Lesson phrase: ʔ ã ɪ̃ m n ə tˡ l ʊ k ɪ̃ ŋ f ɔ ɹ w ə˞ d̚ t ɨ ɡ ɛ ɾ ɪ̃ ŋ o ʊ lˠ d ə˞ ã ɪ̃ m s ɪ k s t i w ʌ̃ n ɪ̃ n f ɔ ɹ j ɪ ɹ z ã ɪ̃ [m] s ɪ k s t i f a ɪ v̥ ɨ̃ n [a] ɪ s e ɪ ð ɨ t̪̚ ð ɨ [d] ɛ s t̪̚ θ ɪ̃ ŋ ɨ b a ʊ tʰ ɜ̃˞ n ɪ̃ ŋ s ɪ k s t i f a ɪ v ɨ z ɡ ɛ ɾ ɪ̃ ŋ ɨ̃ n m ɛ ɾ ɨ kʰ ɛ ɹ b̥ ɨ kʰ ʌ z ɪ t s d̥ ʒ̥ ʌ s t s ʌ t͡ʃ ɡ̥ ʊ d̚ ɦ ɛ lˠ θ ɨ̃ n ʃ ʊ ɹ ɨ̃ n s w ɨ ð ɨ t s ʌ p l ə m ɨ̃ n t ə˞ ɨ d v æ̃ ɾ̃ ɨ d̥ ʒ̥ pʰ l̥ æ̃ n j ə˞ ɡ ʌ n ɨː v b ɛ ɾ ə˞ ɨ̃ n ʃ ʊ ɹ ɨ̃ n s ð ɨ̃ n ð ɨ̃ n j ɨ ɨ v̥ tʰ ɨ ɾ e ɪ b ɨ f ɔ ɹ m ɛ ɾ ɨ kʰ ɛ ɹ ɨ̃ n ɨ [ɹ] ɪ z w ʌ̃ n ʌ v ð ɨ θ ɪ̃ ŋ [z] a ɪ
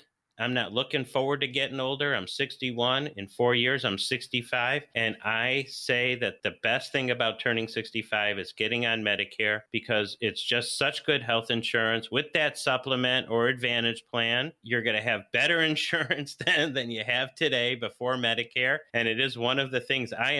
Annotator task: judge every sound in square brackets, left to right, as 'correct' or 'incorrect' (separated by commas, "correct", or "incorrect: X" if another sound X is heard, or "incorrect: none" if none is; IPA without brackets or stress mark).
correct, correct, incorrect: b, incorrect: ɾ, correct